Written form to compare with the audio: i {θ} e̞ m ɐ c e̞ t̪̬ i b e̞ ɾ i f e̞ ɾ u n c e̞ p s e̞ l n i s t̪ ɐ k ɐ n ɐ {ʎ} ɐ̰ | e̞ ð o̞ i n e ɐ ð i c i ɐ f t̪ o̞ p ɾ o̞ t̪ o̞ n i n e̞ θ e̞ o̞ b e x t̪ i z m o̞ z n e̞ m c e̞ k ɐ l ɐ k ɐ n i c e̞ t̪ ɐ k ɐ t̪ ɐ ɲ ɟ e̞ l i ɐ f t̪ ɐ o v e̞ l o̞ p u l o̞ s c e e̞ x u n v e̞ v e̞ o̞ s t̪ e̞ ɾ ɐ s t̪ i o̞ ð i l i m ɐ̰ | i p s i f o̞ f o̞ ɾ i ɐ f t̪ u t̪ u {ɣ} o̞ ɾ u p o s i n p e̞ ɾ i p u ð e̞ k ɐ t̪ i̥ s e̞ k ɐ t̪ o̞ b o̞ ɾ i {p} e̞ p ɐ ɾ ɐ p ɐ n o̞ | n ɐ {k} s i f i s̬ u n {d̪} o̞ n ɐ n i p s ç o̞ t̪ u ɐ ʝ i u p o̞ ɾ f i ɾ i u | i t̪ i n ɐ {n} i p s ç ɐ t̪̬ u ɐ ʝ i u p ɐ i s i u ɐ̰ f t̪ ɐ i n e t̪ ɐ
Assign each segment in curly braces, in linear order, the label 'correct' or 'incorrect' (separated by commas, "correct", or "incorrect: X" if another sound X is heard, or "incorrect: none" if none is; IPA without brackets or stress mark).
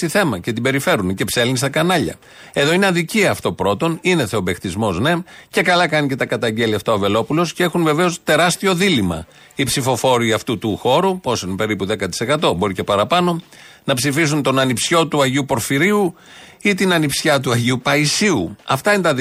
correct, correct, incorrect: x, incorrect: c, incorrect: p, incorrect: t̪, correct